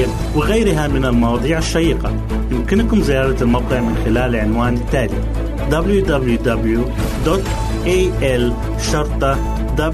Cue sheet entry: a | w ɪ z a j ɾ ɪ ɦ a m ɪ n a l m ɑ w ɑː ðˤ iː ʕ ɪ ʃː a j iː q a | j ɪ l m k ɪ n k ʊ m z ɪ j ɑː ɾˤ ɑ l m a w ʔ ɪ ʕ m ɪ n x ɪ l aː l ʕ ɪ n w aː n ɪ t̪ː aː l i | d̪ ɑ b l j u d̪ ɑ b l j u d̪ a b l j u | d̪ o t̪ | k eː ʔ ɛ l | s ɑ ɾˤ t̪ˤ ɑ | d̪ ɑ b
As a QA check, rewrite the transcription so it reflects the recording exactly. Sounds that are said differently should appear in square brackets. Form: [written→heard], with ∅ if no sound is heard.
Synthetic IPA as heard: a | w ɪ [z→ɣ] a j ɾ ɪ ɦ a m ɪ n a l m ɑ w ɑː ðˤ iː ʕ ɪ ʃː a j iː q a | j ɪ [l→∅] m k ɪ n k ʊ m z ɪ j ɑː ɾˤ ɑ l m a w [ʔ→q] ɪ ʕ m ɪ n x ɪ l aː l ʕ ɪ n w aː n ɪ t̪ː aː l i | d̪ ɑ b l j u d̪ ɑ b l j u d̪ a b l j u | d̪ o t̪ | [k→ʔ] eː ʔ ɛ l | [s→ʃ] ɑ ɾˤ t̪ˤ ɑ | d̪ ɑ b